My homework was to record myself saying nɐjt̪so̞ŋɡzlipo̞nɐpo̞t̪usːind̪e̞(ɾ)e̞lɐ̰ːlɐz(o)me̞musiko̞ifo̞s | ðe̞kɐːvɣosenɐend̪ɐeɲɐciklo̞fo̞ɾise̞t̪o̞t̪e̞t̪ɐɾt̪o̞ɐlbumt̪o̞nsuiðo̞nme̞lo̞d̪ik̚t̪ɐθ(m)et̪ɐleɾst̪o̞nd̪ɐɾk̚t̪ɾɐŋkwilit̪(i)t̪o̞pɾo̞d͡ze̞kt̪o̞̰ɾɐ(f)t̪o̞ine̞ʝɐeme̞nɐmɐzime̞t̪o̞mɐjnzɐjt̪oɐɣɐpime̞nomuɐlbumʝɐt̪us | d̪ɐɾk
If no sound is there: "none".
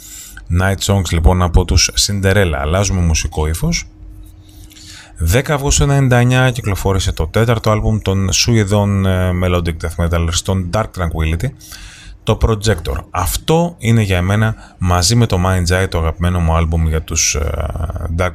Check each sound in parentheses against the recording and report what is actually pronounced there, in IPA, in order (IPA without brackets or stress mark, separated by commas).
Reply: ɾ, u, m, i, f